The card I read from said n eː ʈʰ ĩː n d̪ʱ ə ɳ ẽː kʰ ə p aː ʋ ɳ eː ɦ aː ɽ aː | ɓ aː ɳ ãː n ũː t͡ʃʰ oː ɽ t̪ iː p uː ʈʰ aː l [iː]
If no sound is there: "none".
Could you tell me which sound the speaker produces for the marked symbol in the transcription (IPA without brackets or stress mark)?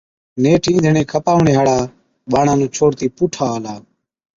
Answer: aː